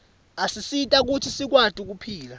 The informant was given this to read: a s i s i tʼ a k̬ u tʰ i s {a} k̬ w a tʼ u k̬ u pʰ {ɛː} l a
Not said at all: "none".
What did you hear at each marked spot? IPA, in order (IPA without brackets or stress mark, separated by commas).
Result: i, iː